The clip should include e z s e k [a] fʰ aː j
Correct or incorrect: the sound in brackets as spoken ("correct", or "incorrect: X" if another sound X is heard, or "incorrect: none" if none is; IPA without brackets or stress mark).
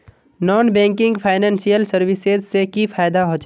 incorrect: i